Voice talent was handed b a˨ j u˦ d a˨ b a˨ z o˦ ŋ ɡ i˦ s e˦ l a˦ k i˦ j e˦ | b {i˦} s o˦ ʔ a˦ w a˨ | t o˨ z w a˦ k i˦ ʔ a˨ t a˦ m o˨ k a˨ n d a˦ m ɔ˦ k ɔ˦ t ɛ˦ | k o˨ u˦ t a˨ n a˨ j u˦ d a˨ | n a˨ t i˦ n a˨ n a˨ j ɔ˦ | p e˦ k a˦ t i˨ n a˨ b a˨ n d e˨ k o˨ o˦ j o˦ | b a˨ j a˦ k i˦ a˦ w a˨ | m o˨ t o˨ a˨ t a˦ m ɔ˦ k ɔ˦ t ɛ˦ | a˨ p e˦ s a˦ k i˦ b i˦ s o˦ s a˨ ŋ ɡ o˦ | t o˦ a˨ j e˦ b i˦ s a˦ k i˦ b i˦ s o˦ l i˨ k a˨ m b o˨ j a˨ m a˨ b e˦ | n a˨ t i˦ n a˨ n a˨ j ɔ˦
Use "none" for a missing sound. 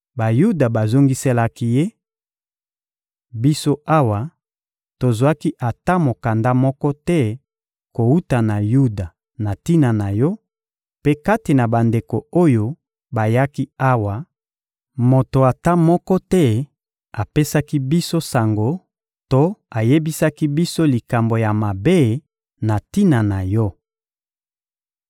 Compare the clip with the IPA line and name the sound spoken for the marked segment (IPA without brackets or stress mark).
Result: i˦